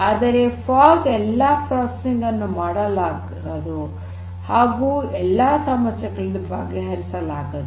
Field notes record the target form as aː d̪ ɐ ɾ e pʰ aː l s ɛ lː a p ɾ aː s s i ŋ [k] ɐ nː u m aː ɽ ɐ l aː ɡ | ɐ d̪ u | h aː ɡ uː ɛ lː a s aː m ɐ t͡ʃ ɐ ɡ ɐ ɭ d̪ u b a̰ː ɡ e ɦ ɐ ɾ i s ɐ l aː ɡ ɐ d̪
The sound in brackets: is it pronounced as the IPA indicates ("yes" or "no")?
no